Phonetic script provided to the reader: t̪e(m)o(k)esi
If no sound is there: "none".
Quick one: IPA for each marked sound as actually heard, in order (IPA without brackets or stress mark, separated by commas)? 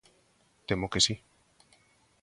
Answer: m, k